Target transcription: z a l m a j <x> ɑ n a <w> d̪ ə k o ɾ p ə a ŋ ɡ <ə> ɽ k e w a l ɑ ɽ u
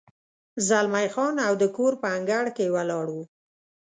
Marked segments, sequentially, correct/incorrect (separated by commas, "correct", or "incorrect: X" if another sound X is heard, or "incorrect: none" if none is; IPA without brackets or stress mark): correct, correct, incorrect: a